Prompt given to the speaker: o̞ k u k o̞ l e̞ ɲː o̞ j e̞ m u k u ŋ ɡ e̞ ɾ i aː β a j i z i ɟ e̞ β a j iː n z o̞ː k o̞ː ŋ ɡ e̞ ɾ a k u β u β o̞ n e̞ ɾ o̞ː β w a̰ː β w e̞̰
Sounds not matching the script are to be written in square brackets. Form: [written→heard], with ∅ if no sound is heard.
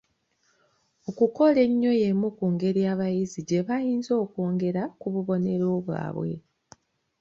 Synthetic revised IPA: o̞ k u k o̞ l e̞ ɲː o̞ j e̞ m u k u ŋ ɡ e̞ ɾ i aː β a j i z i ɟ e̞ β a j iː n z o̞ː k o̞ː ŋ ɡ e̞ ɾ a k u β u β o̞ n e̞ ɾ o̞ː β w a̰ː β w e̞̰